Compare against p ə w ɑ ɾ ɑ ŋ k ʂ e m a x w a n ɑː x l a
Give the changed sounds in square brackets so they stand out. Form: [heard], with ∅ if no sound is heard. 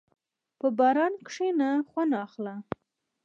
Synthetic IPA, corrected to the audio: p ə [b] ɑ ɾ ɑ [n] k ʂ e [n] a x w a n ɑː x l a